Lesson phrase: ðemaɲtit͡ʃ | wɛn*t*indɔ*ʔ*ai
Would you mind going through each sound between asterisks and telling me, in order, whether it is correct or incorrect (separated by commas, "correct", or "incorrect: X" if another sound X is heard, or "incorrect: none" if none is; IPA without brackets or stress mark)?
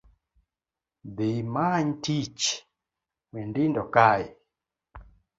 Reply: incorrect: d, incorrect: k